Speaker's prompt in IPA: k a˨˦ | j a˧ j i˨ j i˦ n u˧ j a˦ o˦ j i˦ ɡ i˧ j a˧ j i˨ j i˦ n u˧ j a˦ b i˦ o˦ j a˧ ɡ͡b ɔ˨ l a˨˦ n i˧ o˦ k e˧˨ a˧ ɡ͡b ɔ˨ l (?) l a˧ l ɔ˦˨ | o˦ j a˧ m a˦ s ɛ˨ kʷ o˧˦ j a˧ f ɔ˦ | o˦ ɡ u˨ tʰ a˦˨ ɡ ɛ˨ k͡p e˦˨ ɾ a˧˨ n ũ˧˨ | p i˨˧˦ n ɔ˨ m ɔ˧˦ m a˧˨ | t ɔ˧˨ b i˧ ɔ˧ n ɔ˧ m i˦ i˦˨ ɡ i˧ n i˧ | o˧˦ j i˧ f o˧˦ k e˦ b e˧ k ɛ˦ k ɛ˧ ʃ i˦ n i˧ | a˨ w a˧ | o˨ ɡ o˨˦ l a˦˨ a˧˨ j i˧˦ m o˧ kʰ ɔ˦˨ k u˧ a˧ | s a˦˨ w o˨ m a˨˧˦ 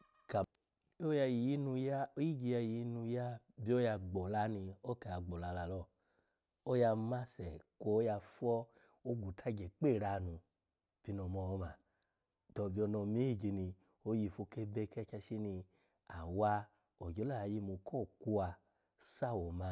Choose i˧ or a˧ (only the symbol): a˧